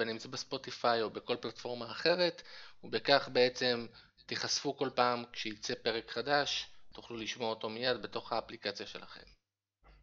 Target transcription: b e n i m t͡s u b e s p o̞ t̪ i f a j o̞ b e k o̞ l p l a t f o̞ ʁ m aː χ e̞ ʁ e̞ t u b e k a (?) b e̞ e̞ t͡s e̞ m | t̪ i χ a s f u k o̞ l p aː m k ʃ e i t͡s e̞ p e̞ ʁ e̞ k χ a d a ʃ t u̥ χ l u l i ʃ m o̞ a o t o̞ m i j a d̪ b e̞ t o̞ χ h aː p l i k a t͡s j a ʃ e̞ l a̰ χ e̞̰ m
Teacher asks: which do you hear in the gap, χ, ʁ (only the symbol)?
χ